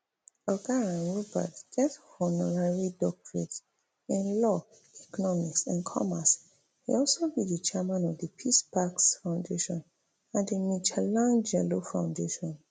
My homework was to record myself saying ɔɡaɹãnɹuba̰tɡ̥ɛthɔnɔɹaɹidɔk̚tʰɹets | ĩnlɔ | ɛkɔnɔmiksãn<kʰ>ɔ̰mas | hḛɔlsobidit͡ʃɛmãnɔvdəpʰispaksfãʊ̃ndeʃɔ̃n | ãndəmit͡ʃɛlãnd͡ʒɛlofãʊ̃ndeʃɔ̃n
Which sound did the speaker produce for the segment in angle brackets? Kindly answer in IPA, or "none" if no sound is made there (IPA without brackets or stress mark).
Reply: kʰ